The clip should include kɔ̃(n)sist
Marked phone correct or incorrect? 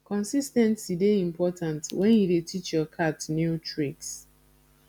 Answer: correct